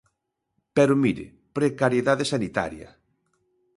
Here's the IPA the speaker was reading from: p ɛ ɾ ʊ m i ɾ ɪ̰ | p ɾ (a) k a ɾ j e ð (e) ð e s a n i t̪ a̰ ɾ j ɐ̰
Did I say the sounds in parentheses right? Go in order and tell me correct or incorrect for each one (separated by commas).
incorrect, incorrect